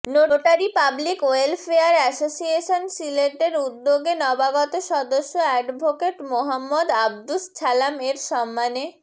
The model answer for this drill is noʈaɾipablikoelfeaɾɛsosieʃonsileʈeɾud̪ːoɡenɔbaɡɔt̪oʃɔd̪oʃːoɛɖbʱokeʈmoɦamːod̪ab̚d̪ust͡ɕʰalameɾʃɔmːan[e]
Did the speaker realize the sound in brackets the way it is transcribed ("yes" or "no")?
yes